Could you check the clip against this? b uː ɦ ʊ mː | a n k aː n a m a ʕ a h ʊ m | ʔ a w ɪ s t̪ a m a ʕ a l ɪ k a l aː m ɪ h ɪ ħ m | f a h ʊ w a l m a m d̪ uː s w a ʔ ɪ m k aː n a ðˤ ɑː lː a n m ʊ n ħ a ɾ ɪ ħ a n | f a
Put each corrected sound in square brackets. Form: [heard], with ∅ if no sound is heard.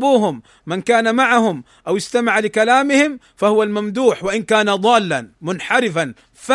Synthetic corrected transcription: b uː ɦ ʊ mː | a n k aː n a m a ʕ a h ʊ m | ʔ a w ɪ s t̪ a m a ʕ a l ɪ k a l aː m ɪ h ɪ [∅] m | f a h ʊ w a l m a m d̪ uː [ħ] w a ʔ ɪ [n] k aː n a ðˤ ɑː lː a n m ʊ n ħ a ɾ ɪ [f] a n | f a